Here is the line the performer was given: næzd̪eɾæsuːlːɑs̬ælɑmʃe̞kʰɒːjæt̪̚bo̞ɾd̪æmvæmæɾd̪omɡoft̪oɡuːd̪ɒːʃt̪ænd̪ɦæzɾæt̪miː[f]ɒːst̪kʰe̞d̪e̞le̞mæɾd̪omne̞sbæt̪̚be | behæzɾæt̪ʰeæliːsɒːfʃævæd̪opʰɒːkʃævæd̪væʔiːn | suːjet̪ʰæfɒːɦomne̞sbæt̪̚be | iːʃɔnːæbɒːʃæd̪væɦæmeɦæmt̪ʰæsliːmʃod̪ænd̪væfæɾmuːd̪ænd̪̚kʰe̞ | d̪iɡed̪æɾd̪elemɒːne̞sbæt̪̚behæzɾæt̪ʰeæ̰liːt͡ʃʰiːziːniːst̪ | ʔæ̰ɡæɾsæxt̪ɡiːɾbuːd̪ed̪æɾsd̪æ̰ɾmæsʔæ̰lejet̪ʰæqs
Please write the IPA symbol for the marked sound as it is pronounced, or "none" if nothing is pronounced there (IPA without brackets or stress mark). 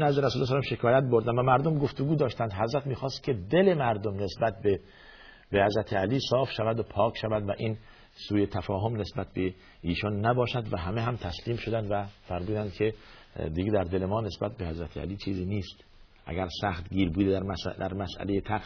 x